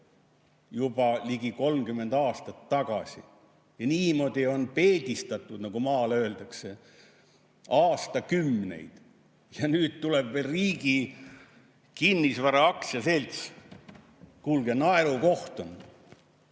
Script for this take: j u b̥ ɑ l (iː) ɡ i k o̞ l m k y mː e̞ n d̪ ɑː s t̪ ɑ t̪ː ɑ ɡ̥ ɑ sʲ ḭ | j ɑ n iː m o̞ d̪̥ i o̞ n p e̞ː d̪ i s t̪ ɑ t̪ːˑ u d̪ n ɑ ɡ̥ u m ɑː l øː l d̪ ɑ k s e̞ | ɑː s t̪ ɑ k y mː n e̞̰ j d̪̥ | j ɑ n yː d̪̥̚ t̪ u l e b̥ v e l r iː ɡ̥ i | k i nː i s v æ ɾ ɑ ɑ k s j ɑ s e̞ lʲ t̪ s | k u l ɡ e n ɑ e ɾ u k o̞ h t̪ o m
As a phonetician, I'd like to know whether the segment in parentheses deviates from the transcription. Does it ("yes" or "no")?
yes